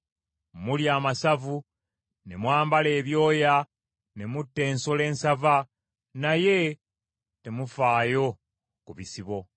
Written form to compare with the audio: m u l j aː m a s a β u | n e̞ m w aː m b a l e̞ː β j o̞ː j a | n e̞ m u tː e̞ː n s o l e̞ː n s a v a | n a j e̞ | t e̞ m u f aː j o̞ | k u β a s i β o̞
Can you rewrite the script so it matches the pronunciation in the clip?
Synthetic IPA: m u l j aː m a s a v u | n e̞ m w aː m b a l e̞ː β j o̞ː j a | n e̞ m u tː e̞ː n s o l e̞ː n s a v a | n a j e̞ | t e̞ m u f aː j o̞ | k u β i s i β o̞

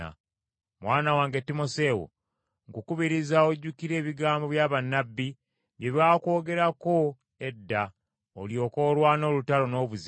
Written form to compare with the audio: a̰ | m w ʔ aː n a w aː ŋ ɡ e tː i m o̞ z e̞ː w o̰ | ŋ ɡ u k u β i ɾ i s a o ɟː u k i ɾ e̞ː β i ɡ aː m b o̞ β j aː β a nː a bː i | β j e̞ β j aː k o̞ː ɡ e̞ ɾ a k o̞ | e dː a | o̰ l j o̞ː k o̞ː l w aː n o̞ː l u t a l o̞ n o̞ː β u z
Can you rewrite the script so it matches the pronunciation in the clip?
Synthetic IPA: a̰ | m w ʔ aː n a w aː ŋ ɡ e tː i m o̞ s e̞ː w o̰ | ŋ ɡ u k u β i ɾ i z a o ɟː u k i ɾ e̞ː β i ɡ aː m b o̞ β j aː β a nː a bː i | β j e̞ β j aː k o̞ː ɡ e̞ ɾ a k o̞ | e dː a | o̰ l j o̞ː k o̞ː l w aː n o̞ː l u t a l o̞ n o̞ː β u z

